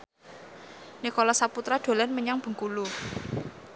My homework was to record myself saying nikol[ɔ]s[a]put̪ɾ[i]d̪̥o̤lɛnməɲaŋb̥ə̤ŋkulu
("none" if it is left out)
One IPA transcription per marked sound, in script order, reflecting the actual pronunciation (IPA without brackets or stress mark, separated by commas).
ɔ, a, a